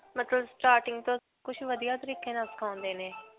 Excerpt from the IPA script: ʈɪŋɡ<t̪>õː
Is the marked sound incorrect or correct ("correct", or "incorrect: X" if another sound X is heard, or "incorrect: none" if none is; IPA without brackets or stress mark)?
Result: correct